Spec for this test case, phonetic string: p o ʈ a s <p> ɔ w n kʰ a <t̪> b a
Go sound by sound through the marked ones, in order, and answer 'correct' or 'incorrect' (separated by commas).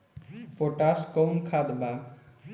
incorrect, incorrect